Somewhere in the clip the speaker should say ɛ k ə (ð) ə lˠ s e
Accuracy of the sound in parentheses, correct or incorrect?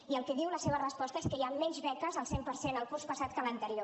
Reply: incorrect